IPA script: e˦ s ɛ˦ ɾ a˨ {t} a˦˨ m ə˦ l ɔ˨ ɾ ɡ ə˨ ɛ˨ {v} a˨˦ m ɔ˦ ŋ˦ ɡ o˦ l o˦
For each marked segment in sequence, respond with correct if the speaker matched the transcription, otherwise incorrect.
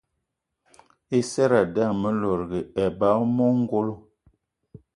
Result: incorrect, incorrect

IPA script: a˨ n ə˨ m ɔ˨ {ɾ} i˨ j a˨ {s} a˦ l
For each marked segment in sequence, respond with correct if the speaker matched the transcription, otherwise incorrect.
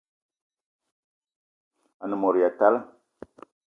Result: correct, incorrect

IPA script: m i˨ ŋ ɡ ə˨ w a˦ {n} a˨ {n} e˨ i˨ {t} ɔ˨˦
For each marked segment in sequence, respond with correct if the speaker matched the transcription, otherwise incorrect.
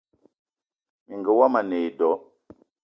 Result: incorrect, correct, incorrect

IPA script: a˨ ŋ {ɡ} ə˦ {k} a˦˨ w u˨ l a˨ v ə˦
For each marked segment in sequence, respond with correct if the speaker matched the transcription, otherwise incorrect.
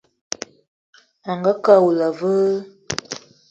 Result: correct, correct

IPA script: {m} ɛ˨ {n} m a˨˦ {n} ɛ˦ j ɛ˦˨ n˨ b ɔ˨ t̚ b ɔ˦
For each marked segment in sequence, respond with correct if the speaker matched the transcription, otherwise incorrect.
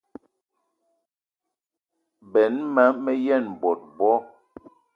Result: incorrect, correct, incorrect

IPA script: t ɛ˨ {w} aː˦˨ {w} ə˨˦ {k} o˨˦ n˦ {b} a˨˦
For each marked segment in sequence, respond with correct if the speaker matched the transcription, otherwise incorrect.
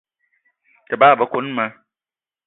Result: incorrect, incorrect, correct, incorrect

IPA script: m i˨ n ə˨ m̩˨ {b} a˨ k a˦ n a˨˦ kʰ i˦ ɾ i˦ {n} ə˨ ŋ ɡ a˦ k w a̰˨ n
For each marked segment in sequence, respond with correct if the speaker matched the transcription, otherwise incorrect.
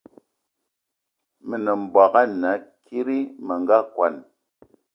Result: correct, incorrect

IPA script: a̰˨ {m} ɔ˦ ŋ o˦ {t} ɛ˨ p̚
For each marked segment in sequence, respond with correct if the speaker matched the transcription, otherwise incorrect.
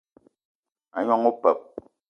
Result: incorrect, incorrect

